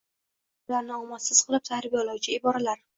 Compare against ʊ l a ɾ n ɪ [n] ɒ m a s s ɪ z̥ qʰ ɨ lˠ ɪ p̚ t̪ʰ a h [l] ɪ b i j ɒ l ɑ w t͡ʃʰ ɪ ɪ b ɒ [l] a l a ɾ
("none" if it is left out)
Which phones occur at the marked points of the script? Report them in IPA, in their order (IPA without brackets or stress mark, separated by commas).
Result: none, ɾ, ɾ